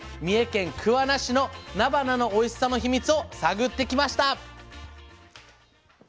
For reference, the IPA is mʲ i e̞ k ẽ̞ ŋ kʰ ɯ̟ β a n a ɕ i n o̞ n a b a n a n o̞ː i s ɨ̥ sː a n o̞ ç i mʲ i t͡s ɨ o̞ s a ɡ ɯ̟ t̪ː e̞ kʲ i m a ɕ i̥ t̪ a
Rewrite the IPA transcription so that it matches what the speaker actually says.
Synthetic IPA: mʲ i e̞ k ẽ̞ ŋ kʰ ɯ̟ β a n a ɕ i n o̞ n a b a n a n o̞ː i s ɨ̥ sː a n o̞ ç i mʲ i t͡s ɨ o̞ s a ɡ ɯ̟ t̪ː e̞ kʲ i m a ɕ i̥ t̪ a